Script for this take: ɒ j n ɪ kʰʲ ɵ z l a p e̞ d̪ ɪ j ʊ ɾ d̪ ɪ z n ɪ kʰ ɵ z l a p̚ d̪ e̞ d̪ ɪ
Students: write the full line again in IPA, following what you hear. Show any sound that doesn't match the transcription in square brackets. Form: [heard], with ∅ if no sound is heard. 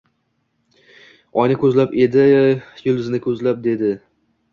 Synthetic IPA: ɒ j n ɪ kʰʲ ɵ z l a p e̞ d̪ ɪ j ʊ [l] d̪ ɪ z n ɪ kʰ ɵ z l a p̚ d̪ e̞ d̪ ɪ